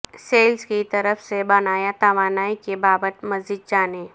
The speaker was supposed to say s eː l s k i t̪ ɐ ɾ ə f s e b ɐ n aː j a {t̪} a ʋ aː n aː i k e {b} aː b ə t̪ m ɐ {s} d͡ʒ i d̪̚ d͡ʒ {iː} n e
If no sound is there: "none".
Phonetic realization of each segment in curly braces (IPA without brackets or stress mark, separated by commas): t̪, b, z, aː